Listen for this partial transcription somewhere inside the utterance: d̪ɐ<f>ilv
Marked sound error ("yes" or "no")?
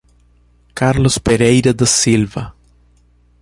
yes